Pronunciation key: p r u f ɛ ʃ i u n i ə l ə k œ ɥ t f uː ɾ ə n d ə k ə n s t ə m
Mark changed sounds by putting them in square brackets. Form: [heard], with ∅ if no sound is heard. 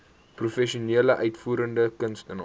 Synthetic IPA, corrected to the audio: p r u f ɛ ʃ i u n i ə l ə [ʔ] œ ɥ t f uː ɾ ə n d ə k ə n s t ə [n]